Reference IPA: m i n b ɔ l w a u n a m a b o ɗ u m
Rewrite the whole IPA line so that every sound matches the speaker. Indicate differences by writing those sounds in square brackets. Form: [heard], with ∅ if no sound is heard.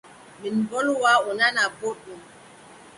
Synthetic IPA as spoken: m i n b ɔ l w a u n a [n] a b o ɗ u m